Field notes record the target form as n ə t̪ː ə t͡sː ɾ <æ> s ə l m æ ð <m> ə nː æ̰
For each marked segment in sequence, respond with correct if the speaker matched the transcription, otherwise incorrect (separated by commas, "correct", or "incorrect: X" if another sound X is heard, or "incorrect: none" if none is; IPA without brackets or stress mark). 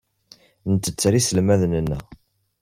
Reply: incorrect: i, incorrect: n